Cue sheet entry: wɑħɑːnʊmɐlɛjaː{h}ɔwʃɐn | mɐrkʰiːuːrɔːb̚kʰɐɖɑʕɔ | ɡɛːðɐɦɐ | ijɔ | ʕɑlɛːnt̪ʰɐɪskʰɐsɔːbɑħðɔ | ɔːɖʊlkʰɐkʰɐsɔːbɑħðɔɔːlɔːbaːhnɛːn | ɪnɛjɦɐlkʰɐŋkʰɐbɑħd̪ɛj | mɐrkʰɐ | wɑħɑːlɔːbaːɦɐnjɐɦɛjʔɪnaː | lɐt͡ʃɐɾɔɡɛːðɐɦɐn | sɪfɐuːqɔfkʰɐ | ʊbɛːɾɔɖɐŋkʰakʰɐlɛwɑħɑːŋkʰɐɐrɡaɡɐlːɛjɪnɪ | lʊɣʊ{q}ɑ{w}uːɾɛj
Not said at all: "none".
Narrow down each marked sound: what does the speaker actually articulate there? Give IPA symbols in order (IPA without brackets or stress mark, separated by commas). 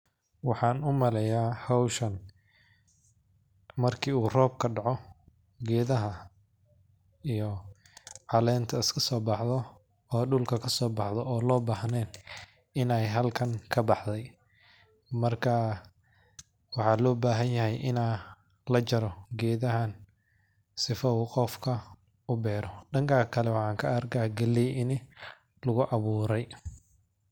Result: h, ʔ, β